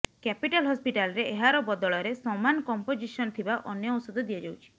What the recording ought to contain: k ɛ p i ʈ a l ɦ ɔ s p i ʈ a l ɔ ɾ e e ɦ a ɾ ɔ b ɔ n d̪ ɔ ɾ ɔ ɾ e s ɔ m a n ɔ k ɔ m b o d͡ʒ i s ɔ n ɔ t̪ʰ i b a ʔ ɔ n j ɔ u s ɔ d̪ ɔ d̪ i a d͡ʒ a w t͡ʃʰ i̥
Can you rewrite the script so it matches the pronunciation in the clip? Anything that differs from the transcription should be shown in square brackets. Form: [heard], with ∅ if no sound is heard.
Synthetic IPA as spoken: k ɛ p i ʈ a l ɦ ɔ s p i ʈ a l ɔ ɾ e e ɦ a ɾ ɔ b ɔ [∅] d̪ ɔ [ɭ] ɔ ɾ e s ɔ m a n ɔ k ɔ m [p] o d͡ʒ i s ɔ n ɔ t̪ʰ i b a ʔ ɔ n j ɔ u s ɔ d̪ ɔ d̪ i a d͡ʒ a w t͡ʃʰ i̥